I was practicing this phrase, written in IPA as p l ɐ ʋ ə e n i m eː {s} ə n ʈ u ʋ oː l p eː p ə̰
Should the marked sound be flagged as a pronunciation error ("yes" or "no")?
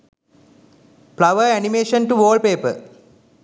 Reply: yes